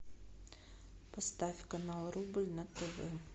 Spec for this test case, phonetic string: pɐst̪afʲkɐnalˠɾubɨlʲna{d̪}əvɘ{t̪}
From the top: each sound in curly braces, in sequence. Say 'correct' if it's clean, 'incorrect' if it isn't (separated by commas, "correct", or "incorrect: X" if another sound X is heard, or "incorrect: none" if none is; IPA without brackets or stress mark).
incorrect: t̪, incorrect: none